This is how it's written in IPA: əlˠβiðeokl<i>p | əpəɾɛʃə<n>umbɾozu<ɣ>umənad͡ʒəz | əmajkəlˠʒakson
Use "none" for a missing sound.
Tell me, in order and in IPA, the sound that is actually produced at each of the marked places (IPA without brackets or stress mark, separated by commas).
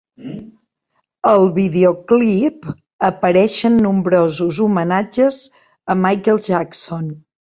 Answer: i, nː, z